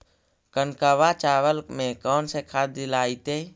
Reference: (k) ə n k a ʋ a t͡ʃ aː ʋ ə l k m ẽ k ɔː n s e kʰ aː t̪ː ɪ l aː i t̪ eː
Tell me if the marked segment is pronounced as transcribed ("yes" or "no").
yes